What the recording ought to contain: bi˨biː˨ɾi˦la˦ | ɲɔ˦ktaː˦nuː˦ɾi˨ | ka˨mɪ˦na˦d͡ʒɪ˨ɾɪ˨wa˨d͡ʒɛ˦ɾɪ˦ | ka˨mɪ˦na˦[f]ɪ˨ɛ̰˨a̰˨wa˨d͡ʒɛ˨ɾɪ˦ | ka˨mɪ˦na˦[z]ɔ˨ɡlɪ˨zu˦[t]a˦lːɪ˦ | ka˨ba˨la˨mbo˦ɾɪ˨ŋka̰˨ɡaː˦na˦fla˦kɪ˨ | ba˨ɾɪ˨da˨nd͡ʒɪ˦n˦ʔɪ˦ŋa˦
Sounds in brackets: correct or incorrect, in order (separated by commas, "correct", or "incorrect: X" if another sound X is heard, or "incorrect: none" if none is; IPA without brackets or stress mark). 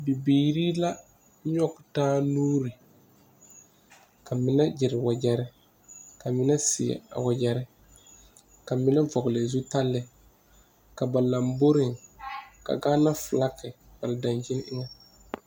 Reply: incorrect: s, incorrect: v, correct